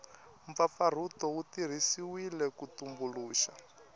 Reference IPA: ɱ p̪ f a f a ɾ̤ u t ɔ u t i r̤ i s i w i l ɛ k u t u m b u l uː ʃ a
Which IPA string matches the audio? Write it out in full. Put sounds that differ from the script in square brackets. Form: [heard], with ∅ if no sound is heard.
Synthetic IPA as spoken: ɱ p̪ f a f a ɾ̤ u t ɔ u t i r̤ i s i w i l ɛ k u t u m b u l uː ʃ a